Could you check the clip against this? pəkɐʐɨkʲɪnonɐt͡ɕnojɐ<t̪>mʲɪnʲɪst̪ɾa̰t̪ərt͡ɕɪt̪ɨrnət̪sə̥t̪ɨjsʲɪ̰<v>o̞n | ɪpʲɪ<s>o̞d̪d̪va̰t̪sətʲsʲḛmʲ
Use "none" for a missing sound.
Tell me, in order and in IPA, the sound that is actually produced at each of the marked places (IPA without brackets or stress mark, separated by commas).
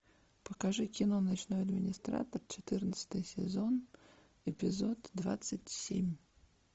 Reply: d̪, z, z